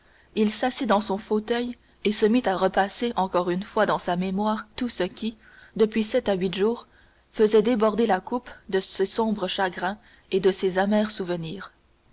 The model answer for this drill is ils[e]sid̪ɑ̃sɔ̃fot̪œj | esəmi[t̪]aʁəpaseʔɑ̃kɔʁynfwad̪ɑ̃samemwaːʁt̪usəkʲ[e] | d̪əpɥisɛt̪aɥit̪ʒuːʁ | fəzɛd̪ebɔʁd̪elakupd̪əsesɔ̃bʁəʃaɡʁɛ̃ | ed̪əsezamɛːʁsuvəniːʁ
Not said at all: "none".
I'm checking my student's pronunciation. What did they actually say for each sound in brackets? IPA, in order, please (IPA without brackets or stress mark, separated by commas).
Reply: a, t̪, i